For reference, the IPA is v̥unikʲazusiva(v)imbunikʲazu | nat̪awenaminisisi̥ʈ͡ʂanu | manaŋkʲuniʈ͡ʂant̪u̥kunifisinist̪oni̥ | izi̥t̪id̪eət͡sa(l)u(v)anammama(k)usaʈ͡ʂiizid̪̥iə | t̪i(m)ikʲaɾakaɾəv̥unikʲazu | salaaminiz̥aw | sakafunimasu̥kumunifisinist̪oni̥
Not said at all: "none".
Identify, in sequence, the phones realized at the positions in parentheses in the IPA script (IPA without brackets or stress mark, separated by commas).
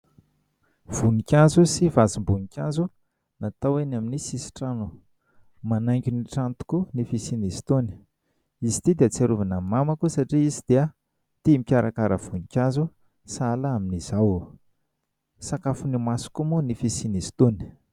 z, ɾ, v, k, m